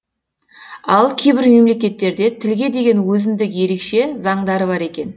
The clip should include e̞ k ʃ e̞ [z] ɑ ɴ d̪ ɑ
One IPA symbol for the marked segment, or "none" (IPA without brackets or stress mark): z